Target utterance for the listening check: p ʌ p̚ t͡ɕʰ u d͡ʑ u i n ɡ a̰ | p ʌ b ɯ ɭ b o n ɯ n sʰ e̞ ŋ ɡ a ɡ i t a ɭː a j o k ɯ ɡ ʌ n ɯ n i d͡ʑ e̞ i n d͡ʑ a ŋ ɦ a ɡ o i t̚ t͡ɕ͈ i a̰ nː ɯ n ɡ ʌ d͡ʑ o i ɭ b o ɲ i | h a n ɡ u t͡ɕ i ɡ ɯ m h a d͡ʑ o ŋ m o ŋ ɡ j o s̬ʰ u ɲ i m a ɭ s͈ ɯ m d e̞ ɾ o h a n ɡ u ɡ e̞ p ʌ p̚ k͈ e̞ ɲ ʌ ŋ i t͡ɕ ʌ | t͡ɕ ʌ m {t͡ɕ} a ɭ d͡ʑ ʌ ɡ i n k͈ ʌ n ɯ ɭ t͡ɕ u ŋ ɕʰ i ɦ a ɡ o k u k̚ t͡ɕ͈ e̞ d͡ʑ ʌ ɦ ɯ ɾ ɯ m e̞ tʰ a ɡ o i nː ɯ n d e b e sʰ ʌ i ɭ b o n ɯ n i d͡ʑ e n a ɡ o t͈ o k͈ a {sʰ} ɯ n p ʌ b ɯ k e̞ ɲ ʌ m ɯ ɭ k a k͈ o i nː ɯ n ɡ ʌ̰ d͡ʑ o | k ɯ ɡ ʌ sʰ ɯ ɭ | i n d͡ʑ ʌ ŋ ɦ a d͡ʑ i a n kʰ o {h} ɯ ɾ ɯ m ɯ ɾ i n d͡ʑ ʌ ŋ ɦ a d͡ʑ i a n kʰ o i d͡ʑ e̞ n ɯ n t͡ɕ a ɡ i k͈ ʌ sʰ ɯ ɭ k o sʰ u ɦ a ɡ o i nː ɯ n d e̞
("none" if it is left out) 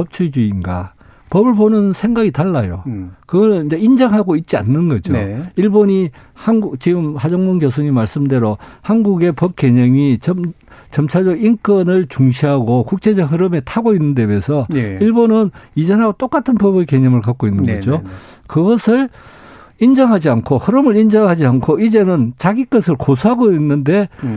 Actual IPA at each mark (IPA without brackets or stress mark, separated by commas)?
t͡ɕʰ, tʰ, h